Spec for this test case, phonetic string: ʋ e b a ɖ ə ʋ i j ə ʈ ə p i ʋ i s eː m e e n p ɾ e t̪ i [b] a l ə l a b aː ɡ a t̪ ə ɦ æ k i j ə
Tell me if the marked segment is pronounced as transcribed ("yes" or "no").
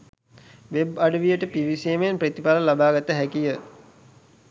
no